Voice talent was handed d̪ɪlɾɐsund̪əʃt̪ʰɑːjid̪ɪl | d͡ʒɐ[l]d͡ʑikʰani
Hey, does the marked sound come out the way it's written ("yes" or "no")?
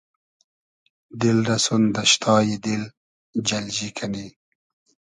yes